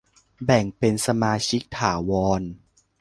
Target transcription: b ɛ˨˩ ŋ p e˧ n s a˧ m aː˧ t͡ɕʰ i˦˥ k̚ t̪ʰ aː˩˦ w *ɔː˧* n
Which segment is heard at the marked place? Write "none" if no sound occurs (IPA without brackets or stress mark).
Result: ɔː˧